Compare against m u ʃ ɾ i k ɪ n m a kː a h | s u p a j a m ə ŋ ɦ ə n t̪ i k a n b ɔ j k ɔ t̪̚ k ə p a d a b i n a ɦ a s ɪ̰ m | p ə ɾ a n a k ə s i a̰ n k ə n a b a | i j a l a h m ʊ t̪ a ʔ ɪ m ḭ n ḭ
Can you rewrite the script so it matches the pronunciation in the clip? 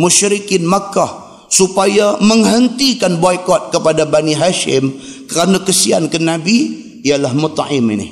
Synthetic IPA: m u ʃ ɾ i k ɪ n m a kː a h | s u p a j a m ə ŋ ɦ ə n t̪ i k a n b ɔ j k ɔ t̪̚ k ə p a d a b a n i ɦ a ʃ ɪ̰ m | k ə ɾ a n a k ə s i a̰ n k ə n a b i | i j a l a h m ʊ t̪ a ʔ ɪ m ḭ n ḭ